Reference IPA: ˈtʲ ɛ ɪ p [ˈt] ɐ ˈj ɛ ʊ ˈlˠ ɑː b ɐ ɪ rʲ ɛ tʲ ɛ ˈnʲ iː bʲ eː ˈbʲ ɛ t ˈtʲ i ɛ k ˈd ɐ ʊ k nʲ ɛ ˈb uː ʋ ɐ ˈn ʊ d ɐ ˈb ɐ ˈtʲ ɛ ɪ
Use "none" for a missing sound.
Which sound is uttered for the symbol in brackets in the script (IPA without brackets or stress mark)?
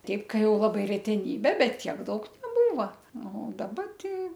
k